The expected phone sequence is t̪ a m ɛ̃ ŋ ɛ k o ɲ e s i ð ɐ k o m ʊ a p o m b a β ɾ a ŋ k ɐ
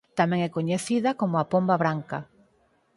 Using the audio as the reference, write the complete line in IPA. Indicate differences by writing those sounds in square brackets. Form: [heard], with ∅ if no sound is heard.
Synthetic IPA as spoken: t̪ a m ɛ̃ ŋ ɛ k o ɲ e [θ] i ð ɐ k o m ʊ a p o m b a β ɾ a ŋ k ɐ